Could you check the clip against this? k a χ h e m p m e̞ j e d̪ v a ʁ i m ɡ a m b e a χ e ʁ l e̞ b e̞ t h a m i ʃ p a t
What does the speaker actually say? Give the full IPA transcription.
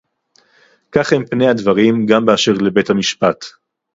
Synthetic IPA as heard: k a χ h e m p n e̞ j a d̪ v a ʁ i m ɡ a m b e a ʃ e ʁ l e̞ b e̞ t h a m i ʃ p a t